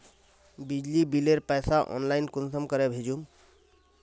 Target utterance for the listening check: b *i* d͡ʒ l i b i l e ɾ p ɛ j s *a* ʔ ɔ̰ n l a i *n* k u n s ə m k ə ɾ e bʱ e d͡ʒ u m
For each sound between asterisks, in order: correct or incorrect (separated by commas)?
correct, correct, correct